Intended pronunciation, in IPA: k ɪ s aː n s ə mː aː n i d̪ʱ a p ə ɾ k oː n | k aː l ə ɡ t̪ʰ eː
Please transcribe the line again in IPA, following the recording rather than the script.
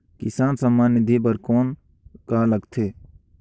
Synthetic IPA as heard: k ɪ s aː n s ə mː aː n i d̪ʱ i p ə ɾ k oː n | k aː l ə ɡ t̪ʰ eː